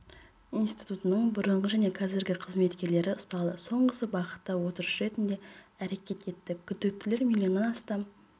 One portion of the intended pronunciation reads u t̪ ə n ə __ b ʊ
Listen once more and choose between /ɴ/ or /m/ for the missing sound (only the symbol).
ɴ